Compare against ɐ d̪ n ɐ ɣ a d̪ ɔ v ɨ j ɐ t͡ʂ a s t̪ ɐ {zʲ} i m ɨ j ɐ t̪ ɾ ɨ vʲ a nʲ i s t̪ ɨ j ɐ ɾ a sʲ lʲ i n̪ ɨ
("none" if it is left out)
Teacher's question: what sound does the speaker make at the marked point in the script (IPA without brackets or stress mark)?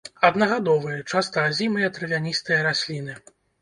zʲ